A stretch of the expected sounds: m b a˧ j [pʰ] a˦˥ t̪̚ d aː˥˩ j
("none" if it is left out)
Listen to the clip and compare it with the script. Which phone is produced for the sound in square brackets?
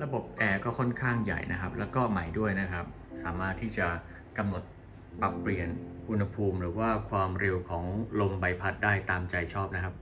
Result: pʰ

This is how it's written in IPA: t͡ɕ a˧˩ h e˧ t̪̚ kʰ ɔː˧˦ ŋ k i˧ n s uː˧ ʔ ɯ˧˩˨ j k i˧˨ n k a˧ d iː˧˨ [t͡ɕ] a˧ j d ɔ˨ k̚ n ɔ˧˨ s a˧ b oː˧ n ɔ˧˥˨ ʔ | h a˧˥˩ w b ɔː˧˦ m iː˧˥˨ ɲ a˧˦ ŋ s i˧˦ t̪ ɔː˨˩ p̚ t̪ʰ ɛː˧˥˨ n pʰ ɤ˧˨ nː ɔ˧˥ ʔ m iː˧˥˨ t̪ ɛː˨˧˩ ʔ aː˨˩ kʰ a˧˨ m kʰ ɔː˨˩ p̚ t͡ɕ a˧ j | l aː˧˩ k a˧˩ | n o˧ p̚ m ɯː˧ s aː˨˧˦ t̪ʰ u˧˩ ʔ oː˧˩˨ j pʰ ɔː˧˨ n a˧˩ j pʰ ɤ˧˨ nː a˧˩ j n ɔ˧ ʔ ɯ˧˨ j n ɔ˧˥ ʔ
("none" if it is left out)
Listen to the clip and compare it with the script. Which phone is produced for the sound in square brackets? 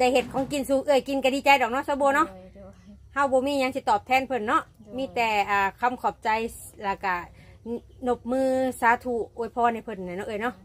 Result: t͡ɕ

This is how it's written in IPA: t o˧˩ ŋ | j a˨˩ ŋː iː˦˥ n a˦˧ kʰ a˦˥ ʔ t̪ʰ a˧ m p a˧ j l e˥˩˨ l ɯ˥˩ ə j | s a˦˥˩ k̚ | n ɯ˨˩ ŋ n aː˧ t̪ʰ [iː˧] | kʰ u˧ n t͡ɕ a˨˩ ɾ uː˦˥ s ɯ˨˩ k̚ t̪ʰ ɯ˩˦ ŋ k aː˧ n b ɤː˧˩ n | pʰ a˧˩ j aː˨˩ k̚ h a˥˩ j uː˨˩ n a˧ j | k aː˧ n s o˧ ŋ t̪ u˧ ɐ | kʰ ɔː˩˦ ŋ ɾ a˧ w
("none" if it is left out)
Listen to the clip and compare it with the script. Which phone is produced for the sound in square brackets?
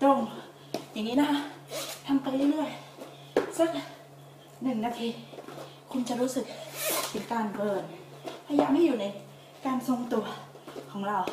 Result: iː˧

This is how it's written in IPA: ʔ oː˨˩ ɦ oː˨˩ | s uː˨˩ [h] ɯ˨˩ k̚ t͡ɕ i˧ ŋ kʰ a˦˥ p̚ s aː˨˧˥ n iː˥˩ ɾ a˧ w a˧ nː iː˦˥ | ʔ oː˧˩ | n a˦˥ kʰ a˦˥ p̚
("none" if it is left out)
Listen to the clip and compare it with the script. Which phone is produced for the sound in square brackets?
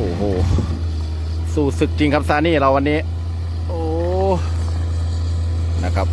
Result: s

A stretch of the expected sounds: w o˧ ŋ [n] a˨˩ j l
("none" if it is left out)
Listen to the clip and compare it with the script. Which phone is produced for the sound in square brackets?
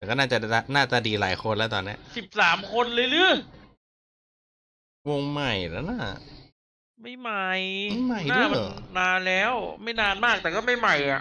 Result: m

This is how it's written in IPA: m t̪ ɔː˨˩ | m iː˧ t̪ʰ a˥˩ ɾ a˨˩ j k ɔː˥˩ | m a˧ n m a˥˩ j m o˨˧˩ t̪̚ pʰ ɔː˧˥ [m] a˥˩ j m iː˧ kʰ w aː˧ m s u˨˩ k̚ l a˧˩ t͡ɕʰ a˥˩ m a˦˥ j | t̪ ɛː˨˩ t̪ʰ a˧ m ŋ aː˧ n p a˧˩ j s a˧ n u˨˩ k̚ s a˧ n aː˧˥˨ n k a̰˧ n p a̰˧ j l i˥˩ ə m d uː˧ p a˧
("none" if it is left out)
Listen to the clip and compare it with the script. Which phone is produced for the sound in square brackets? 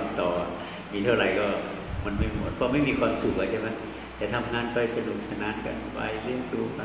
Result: m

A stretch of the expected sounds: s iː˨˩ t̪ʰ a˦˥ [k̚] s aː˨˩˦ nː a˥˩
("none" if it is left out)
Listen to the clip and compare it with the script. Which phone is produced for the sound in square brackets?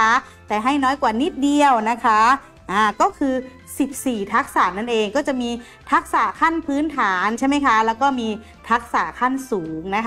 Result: k̚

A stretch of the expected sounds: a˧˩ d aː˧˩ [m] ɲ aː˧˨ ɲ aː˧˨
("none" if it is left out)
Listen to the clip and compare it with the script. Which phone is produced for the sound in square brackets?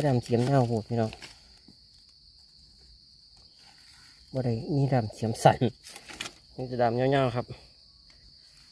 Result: m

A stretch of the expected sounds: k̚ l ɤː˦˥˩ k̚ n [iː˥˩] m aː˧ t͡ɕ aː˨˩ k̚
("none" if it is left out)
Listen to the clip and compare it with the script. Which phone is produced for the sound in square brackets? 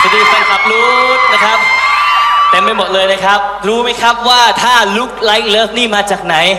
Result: iː˥˩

